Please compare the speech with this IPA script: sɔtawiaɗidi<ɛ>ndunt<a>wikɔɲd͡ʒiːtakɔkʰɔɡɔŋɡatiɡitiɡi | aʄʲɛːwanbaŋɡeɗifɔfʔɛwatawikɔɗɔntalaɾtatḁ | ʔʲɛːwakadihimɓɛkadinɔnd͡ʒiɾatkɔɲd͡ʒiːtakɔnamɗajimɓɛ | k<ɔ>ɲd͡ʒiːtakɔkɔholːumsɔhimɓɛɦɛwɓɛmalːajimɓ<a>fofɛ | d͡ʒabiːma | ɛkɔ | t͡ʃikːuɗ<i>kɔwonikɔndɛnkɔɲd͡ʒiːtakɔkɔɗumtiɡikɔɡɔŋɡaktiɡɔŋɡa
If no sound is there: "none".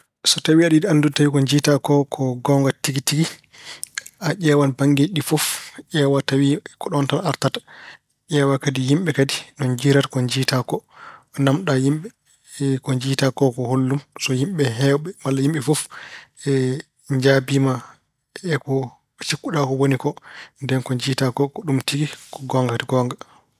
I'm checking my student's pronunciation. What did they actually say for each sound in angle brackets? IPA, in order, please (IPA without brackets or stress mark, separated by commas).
a, a, ɔ, ɛ, a